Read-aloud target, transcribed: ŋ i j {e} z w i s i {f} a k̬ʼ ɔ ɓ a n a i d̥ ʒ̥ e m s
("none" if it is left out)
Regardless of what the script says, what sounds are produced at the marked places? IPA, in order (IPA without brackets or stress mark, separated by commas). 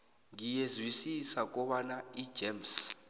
e, s